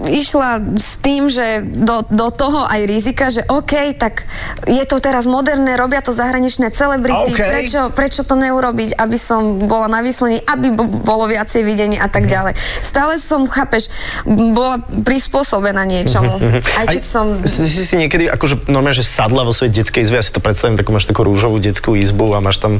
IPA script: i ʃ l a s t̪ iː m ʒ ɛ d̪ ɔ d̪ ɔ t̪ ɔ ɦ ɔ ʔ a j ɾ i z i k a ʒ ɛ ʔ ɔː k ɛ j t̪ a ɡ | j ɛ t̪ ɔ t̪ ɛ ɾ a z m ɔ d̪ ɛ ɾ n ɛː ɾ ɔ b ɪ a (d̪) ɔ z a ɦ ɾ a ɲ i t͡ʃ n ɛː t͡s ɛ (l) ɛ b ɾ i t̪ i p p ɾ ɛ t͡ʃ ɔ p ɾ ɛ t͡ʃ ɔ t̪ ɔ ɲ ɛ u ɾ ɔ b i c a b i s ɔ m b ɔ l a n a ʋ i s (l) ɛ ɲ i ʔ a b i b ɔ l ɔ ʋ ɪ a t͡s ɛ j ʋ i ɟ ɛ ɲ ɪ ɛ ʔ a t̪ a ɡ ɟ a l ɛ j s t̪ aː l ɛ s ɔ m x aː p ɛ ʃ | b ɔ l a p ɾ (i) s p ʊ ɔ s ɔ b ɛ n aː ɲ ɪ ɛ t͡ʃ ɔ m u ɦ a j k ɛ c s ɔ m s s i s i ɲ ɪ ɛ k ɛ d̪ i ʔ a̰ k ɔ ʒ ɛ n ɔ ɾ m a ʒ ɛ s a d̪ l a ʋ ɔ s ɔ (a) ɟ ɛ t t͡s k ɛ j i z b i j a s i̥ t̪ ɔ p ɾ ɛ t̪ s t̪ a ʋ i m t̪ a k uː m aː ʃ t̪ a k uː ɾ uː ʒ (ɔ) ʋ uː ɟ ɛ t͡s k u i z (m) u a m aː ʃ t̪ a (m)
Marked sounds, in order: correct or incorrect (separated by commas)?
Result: incorrect, correct, correct, correct, incorrect, correct, incorrect, correct